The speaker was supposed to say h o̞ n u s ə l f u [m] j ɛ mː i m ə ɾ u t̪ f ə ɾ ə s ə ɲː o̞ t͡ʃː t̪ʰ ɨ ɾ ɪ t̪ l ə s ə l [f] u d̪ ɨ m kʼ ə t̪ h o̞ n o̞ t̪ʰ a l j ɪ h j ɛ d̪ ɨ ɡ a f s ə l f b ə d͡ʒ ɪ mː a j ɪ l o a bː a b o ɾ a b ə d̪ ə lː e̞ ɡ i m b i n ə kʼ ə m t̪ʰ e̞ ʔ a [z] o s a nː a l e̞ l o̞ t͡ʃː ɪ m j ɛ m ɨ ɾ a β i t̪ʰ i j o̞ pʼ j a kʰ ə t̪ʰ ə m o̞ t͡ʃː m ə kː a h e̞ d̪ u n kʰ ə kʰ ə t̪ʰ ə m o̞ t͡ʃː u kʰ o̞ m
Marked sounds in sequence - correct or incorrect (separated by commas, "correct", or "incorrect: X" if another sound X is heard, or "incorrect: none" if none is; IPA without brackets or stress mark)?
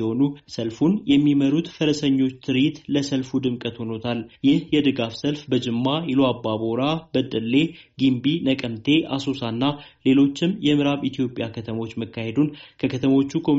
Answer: incorrect: n, correct, incorrect: s